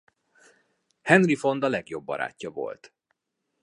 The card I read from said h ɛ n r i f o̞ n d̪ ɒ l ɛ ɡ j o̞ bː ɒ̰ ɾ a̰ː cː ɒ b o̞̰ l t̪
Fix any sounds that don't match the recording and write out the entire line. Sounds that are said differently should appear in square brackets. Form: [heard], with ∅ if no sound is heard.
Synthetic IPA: h ɛ n r i f o̞ n d̪ ɒ l ɛ ɡ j o̞ bː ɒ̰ ɾ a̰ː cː ɒ [v] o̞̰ l t̪